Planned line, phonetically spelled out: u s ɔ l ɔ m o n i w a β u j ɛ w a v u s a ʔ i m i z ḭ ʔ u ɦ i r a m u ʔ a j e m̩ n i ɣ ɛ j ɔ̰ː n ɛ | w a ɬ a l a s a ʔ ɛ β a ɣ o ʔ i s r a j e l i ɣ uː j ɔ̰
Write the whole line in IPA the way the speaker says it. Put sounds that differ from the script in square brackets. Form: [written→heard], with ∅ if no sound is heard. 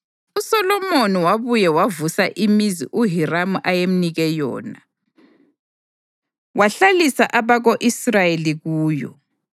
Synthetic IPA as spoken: u s ɔ l ɔ m o n i w a β u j ɛ w a v u s a ʔ i m i z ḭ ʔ u ɦ i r a m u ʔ a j e m̩ n i ɣ ɛ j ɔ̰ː n [ɛ→a] | w a ɬ a l [a→i] s a ʔ [ɛ→a] β a ɣ o ʔ i s r a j e l i ɣ uː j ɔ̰

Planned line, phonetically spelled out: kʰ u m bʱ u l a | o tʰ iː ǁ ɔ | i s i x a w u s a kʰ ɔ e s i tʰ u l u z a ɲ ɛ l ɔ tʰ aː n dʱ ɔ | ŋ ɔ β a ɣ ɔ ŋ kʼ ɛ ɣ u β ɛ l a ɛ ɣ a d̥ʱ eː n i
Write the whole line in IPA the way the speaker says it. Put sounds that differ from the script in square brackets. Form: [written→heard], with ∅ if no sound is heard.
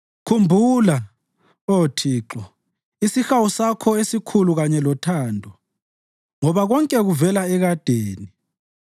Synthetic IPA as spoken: kʰ u m bʱ u l a | o tʰ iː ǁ ɔ | i s i x a w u s a kʰ ɔ e s i [tʰ→kʰ] u l u [z→ɣ] a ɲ ɛ l ɔ tʰ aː n dʱ ɔ | ŋ ɔ β a ɣ ɔ ŋ kʼ ɛ ɣ u [β→v] ɛ l a ɛ ɣ a d̥ʱ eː n i

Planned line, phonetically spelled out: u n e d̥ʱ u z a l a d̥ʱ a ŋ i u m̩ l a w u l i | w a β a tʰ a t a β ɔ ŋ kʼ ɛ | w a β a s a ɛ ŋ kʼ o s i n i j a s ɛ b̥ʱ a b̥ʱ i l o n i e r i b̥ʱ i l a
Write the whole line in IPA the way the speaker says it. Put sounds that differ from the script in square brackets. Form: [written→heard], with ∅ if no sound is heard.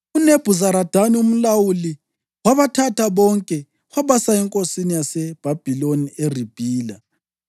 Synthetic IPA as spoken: u n e [d̥ʱ→b̥ʱ] u z a [l→ɾ] a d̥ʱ a [ŋ→n] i u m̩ l a w u l i | w a β a tʰ a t a β ɔ ŋ kʼ ɛ | w a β a s a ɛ ŋ kʼ o s i n i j a s ɛ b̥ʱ a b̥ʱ i l o n i e r i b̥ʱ [i→iː] l a

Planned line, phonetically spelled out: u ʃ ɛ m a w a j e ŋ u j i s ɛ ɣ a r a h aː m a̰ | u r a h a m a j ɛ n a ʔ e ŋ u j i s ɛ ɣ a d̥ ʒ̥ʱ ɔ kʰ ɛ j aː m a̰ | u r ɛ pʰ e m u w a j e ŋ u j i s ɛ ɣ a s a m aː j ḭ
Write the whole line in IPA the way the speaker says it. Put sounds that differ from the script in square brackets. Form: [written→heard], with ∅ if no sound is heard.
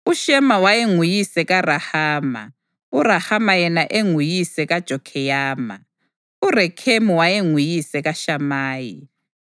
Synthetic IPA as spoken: u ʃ ɛ m a w a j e ŋ u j i s ɛ ɣ a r a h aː m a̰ | u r a h a m a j ɛ n a ʔ e ŋ u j i s ɛ ɣ a d̥ ʒ̥ʱ ɔ kʰ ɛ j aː m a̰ | u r ɛ [pʰ→kʰ] e m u w a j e ŋ u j i s ɛ ɣ a [s→ʃ] a m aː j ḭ

